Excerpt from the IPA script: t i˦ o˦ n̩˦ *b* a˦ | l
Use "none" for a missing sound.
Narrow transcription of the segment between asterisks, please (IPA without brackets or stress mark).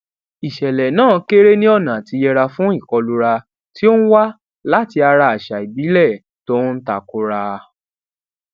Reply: w